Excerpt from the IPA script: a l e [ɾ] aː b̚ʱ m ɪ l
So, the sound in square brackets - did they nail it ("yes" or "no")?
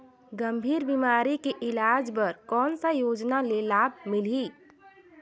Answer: no